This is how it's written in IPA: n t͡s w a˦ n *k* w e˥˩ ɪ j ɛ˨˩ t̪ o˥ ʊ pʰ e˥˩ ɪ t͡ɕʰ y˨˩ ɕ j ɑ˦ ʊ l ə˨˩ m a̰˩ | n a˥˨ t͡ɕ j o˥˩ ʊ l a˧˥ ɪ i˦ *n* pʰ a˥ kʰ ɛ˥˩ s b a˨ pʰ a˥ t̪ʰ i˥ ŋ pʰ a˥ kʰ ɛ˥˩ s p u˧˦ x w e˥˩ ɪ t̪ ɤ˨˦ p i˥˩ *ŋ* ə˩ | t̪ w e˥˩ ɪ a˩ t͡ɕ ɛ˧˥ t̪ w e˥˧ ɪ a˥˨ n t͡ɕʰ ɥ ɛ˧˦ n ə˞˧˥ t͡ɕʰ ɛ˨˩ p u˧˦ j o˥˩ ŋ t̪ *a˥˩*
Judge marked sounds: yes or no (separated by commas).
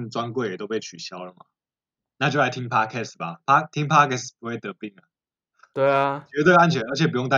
yes, no, yes, no